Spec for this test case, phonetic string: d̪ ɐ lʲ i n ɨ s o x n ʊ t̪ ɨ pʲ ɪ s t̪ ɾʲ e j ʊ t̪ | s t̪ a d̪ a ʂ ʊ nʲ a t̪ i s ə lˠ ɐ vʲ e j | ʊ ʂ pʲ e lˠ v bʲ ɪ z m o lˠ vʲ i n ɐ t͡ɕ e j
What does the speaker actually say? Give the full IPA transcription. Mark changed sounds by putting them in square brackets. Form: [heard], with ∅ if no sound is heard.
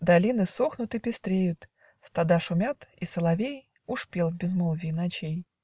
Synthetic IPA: d̪ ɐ lʲ i n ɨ s o x n ʊ t̪ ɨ pʲ ɪ s t̪ ɾʲ e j ʊ t̪ | s t̪ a d̪ a ʂ ʊ [mʲ] a t̪ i s ə lˠ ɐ vʲ e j | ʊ ʂ pʲ e lˠ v bʲ ɪ z m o lˠ vʲ i n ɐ t͡ɕ e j